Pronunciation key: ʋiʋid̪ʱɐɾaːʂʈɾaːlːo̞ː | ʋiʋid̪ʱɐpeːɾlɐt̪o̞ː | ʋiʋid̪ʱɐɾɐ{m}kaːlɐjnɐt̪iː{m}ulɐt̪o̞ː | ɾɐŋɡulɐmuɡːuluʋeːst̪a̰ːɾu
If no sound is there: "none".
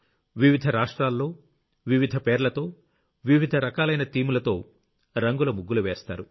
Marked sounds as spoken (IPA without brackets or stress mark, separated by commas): none, m